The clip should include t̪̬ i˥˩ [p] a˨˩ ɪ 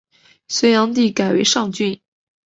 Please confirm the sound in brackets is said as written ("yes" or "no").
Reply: no